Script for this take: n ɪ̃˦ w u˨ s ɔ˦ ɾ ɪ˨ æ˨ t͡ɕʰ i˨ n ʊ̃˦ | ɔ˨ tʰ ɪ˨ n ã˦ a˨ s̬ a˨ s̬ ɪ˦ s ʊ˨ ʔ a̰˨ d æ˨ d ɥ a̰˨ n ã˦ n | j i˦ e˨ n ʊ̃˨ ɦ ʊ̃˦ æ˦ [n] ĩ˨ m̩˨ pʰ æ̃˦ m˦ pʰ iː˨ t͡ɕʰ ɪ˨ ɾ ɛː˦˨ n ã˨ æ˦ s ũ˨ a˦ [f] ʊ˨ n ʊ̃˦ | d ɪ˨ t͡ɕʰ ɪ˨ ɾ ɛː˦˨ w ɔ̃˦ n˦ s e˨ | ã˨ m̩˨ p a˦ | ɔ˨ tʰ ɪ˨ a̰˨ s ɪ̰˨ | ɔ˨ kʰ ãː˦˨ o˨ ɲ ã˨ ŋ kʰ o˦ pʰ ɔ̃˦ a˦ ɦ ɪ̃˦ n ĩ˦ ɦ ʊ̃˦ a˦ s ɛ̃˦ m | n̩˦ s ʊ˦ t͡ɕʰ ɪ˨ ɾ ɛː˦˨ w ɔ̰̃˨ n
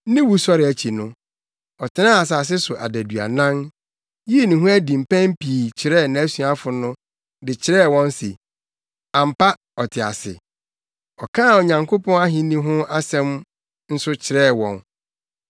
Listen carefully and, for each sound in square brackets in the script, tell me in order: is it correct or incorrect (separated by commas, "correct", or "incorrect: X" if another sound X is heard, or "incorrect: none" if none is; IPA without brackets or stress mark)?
incorrect: d, correct